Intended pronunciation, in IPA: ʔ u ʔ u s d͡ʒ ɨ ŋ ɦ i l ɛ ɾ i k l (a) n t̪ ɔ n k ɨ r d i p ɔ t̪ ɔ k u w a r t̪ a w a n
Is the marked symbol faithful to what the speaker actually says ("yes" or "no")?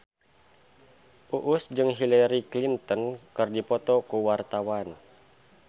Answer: no